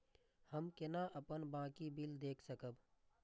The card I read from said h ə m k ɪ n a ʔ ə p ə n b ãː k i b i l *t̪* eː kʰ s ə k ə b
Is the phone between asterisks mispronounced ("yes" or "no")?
yes